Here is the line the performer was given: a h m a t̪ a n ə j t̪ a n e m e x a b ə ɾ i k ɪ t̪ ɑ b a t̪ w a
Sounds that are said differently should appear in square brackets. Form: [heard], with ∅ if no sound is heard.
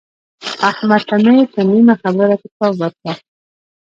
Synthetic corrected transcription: a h m a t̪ a n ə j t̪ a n [i] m [a] x a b ə ɾ [a] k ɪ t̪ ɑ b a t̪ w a